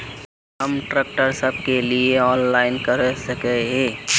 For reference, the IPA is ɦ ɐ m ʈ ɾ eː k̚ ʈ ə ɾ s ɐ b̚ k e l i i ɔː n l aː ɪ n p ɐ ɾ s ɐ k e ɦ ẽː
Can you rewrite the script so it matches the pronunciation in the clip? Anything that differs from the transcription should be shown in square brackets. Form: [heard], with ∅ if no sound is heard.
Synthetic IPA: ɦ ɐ m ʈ ɾ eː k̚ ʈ ə ɾ s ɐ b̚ k e l i [e] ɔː n l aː ɪ n [k] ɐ ɾ s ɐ k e ɦ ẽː